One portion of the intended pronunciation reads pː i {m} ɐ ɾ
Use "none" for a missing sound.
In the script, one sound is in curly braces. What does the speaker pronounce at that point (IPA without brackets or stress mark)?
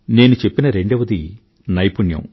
n